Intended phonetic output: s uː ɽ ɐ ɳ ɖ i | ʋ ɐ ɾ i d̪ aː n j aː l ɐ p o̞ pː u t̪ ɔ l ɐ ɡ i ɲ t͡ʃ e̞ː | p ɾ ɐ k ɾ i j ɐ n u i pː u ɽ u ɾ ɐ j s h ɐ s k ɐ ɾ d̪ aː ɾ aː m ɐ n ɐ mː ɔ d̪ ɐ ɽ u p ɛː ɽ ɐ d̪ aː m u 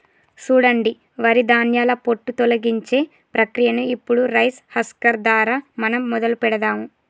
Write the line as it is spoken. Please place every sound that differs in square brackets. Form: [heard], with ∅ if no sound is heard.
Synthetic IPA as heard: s uː ɽ ɐ ɳ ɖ i | ʋ ɐ ɾ i d̪ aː n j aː l ɐ p o̞ [ʈː] u t̪ ɔ l ɐ ɡ i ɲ t͡ʃ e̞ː | p ɾ ɐ k ɾ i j ɐ n u i pː u ɽ u ɾ ɐ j s h ɐ s k ɐ ɾ d̪ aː ɾ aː m ɐ n ɐ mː ɔ d̪ ɐ [l] u p [ɛ] ɽ ɐ d̪ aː m u